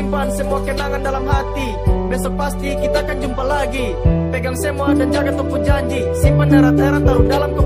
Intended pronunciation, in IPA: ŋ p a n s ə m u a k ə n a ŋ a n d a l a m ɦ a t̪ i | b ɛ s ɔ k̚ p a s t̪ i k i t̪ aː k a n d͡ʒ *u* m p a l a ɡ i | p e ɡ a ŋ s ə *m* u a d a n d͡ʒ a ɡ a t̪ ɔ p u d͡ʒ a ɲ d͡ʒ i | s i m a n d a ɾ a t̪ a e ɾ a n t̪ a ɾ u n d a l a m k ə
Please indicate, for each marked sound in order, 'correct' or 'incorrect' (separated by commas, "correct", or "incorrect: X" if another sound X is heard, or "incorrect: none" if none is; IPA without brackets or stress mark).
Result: correct, correct